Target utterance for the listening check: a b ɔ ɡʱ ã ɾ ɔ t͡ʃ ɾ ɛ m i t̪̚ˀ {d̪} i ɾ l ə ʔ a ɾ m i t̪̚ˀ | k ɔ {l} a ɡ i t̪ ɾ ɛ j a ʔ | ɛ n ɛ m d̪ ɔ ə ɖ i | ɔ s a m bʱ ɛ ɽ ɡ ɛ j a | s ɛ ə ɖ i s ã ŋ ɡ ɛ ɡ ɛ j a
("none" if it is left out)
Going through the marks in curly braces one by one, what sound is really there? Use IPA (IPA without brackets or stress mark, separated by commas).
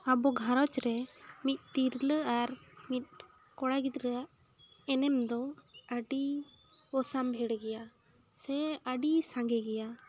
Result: t̪, ɽ